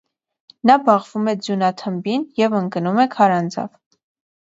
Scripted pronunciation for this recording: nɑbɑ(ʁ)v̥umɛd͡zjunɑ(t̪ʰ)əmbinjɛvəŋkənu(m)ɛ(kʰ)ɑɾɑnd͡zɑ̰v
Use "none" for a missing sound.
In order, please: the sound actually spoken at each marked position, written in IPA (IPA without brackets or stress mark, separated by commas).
ʁ, t̪ʰ, m, kʰ